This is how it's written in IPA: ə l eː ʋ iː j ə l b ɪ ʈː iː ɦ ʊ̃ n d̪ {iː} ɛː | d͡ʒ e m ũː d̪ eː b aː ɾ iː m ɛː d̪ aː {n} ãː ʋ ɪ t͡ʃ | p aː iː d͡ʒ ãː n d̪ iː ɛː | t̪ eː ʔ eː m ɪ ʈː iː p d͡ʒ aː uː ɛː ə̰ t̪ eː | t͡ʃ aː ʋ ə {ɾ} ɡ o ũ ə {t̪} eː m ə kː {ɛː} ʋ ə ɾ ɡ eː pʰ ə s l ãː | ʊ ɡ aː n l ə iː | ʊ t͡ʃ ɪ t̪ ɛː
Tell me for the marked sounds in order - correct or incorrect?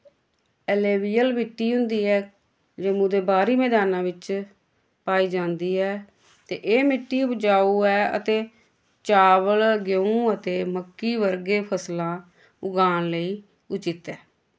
correct, correct, incorrect, correct, incorrect

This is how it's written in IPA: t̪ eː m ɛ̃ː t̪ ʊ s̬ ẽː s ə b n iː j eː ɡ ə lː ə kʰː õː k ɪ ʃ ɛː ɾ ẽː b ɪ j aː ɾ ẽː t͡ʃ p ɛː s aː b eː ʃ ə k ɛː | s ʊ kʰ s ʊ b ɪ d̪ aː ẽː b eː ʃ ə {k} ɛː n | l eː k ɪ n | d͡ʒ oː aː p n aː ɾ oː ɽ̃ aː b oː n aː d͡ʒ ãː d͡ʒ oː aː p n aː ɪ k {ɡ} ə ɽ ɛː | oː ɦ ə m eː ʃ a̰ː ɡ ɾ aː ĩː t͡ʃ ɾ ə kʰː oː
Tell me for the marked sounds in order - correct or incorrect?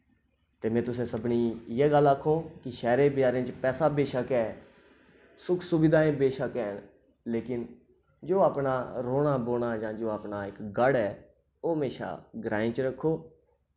correct, correct

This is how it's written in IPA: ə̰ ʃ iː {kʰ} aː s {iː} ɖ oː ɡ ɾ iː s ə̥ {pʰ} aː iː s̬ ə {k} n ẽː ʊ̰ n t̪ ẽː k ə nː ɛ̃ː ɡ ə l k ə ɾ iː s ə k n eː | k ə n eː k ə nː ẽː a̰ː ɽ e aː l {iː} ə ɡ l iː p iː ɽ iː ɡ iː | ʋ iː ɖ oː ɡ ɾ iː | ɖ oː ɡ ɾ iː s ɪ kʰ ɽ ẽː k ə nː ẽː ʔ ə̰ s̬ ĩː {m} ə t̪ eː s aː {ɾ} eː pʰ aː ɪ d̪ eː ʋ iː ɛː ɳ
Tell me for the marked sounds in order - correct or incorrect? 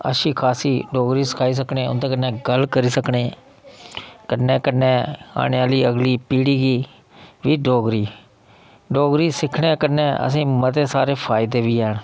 correct, correct, incorrect, correct, correct, correct, correct

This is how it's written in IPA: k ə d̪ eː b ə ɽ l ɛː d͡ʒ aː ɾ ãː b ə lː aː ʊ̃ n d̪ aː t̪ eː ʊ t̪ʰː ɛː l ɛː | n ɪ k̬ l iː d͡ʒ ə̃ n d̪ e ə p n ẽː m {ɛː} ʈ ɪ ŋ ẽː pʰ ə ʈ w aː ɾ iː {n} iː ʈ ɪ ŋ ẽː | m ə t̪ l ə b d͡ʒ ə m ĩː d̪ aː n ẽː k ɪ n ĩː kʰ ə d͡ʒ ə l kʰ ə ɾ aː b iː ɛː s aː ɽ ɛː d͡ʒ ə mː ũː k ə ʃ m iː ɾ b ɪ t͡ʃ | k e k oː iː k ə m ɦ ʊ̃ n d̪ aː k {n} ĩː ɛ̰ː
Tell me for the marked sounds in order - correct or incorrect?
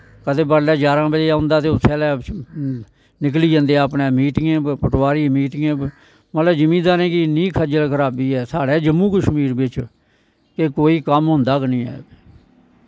incorrect, incorrect, correct

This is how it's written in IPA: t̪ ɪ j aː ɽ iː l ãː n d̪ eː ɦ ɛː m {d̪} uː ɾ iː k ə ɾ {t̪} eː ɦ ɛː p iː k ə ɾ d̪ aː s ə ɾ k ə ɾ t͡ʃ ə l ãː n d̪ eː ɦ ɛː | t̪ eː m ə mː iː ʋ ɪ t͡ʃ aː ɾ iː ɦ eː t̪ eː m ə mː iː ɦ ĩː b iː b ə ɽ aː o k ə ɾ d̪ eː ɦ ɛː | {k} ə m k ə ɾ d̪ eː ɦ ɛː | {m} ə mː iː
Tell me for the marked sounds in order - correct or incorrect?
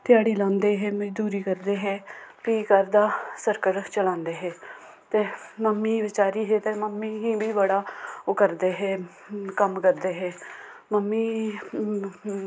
correct, incorrect, correct, correct

